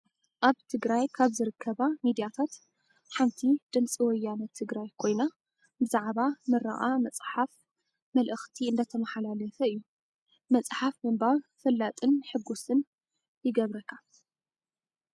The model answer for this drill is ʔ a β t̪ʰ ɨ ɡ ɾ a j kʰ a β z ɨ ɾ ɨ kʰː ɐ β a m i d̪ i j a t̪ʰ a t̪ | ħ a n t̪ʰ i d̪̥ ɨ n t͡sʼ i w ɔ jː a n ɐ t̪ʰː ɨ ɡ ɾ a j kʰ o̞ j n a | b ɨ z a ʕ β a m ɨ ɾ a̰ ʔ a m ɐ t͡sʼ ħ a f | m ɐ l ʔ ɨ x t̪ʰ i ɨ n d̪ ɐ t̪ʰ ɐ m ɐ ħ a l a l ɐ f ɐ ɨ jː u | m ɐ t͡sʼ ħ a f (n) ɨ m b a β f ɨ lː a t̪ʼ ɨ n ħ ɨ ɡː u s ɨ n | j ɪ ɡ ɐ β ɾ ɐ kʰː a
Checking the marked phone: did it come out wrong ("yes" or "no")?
yes